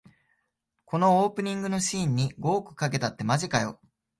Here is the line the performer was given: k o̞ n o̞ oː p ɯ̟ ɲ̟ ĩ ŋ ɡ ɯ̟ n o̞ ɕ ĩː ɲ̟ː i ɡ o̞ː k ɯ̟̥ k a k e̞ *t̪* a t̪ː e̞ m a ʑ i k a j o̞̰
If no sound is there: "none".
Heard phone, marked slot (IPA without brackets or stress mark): t̪